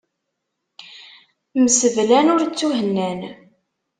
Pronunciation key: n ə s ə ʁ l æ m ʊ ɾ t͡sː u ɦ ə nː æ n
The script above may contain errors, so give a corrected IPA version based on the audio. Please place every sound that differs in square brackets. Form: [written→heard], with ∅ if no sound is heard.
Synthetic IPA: [n→m] ə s ə [ʁ→v] l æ [m→n] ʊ ɾ t͡sː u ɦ ə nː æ n